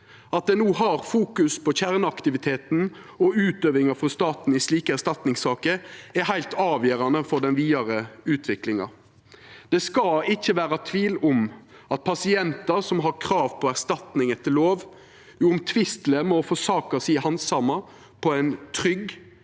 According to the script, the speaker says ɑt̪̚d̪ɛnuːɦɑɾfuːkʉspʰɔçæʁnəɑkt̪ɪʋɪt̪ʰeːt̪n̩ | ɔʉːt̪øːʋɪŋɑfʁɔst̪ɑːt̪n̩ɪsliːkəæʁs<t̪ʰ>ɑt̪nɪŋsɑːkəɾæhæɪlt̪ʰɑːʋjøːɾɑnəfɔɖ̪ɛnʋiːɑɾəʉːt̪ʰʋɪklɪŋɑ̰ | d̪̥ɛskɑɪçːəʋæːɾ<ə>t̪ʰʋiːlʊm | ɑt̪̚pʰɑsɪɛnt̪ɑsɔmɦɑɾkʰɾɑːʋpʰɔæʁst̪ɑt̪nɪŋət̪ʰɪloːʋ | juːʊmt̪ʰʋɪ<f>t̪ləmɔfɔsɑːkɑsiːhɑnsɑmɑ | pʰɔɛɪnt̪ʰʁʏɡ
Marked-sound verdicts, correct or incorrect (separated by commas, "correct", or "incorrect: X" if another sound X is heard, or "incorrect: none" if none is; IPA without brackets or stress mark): incorrect: t̪, incorrect: ɑ, incorrect: s